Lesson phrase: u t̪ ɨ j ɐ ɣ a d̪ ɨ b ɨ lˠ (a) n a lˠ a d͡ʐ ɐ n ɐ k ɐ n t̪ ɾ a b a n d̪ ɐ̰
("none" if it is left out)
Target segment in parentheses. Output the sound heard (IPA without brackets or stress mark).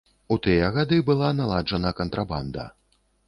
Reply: a